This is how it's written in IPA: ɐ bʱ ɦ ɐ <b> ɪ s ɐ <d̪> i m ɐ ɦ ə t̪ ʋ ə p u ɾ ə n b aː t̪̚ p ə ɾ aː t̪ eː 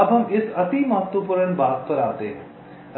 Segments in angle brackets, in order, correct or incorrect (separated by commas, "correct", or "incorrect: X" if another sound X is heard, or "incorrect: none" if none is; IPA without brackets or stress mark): incorrect: m, incorrect: t̪